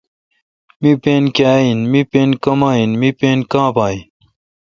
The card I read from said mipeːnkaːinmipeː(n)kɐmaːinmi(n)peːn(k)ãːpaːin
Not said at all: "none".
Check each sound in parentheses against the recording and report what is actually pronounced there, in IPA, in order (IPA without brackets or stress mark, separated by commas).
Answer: n, none, k